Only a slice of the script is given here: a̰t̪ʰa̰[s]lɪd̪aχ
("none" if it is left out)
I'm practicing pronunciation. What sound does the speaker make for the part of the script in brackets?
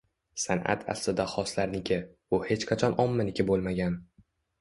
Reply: s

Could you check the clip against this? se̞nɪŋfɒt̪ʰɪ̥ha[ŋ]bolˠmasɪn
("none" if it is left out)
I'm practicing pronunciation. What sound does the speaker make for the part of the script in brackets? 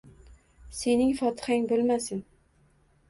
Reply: ŋ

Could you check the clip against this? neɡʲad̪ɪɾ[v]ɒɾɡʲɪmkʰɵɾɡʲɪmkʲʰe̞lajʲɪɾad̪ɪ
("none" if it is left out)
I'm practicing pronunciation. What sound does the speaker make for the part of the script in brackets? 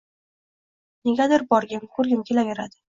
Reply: b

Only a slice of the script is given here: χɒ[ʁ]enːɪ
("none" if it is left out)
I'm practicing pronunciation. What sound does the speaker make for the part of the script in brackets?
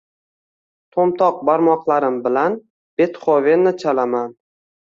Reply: v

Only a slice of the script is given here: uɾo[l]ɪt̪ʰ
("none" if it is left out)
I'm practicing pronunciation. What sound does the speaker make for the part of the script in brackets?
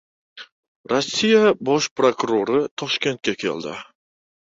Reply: ɾ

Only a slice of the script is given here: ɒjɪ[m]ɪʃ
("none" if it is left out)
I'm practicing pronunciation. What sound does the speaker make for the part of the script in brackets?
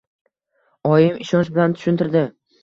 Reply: m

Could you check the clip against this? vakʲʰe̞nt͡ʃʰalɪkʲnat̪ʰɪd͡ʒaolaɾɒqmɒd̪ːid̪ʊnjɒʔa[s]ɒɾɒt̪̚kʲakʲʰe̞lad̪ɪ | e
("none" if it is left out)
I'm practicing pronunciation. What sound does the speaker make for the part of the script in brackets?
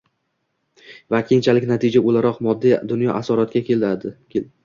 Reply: s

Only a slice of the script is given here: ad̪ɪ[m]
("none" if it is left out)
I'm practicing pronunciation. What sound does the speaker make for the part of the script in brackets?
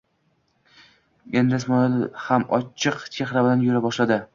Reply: none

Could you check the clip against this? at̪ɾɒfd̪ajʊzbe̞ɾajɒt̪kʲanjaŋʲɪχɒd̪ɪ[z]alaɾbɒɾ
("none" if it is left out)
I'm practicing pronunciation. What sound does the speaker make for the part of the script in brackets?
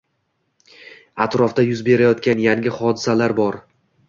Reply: s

